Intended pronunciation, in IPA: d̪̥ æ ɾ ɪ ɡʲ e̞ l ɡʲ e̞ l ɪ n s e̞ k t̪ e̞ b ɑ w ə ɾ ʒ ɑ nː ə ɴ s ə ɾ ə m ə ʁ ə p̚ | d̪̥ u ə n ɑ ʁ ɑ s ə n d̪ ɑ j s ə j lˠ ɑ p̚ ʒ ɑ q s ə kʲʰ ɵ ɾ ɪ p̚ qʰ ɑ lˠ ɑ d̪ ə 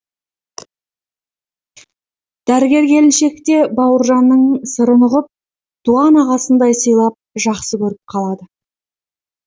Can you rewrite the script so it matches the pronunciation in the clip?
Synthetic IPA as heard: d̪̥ æ ɾ ɪ ɡʲ e̞ ɾ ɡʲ e̞ l ɪ n ʃ e̞ k t̪ e̞ b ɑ w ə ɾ ʒ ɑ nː ə ɴ s ə ɾ ə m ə ʁ ə p̚ | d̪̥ u ɑ n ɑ ʁ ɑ s ə n d̪ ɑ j s ə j lˠ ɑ p̚ ʒ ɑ q s ə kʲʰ ɵ ɾ ɪ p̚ qʰ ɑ lˠ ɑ d̪ ə